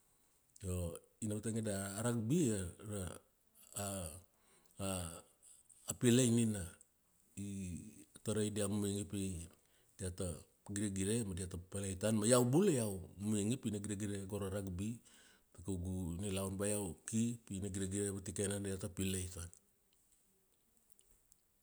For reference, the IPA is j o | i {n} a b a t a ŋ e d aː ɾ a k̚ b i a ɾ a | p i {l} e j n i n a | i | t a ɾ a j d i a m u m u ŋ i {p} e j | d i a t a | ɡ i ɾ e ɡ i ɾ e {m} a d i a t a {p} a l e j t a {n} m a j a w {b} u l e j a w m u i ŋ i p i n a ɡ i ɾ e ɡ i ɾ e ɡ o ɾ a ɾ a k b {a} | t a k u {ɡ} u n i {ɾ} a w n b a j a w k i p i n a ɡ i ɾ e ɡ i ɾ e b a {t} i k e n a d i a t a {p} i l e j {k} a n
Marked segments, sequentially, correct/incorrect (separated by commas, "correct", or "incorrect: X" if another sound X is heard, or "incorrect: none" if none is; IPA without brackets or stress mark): correct, correct, correct, correct, correct, correct, correct, incorrect: i, correct, incorrect: l, correct, correct, incorrect: t